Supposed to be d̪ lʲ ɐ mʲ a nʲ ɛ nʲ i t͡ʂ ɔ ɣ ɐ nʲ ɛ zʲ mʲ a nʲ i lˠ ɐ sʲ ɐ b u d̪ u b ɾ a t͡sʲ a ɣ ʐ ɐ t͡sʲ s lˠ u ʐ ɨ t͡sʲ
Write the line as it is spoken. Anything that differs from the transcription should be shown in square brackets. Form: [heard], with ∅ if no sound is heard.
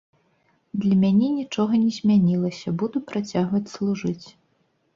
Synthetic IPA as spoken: d̪ lʲ ɐ mʲ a nʲ ɛ nʲ i t͡ʂ ɔ ɣ ɐ nʲ ɛ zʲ mʲ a nʲ i lˠ ɐ sʲ ɐ b u d̪ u [p] ɾ a t͡sʲ a ɣ [v] ɐ t͡sʲ s lˠ u ʐ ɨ t͡sʲ